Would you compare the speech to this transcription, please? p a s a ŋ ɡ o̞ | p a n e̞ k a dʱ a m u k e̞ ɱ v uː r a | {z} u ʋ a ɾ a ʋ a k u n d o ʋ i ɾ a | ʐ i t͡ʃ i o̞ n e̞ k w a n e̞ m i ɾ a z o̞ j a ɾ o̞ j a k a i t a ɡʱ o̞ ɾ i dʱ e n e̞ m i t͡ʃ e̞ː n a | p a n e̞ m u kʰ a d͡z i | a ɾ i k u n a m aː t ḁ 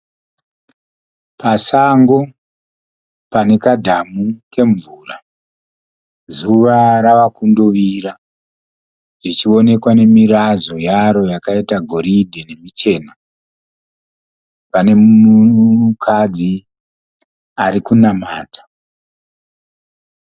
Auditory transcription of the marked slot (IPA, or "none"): z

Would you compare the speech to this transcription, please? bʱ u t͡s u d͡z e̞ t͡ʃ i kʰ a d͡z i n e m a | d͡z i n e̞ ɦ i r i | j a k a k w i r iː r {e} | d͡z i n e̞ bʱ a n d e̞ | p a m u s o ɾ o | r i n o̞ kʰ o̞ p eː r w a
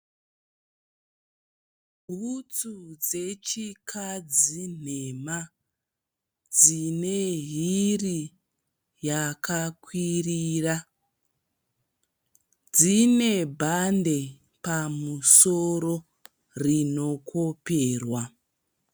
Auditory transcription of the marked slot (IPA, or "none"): a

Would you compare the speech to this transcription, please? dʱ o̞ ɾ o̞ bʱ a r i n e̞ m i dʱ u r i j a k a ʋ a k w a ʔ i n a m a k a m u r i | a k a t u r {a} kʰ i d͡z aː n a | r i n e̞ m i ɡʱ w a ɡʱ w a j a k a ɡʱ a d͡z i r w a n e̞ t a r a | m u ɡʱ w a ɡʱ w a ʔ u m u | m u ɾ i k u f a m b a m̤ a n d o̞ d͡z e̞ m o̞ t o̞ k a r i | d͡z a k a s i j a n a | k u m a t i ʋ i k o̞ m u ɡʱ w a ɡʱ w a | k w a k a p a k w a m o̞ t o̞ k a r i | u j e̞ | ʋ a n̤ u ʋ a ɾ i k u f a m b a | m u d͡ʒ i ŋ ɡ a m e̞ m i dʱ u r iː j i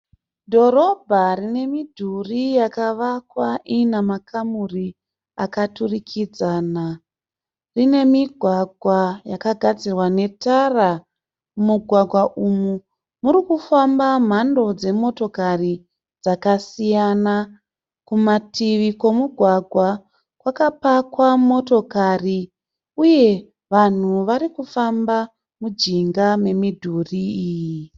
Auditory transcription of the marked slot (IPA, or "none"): i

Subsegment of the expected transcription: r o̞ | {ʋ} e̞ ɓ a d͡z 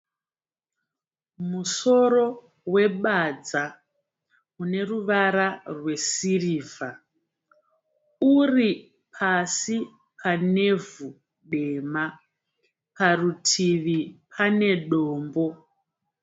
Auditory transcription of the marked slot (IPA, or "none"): w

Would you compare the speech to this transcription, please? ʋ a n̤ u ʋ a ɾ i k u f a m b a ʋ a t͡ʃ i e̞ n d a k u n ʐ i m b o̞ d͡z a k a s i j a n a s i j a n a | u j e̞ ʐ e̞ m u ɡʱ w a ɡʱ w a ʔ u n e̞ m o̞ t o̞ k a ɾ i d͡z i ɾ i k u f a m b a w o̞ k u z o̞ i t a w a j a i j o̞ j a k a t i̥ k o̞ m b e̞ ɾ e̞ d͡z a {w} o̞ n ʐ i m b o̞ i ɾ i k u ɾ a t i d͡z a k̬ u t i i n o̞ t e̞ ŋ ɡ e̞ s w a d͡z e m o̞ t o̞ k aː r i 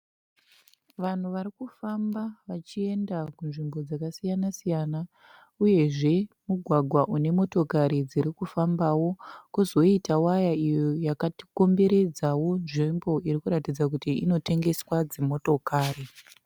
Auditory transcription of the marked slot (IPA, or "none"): w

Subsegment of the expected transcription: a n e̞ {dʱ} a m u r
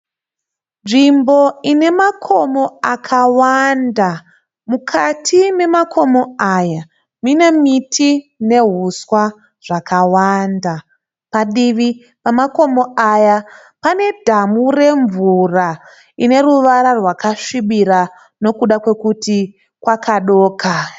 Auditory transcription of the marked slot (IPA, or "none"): dʱ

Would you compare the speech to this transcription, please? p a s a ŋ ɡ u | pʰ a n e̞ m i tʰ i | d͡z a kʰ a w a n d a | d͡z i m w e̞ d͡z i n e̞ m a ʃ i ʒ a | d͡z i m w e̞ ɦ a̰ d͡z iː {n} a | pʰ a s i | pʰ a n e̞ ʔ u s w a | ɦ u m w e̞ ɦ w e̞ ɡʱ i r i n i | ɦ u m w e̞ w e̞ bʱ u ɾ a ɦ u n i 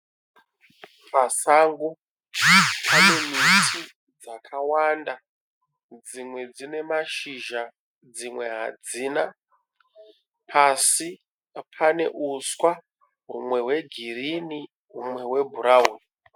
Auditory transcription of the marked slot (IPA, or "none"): n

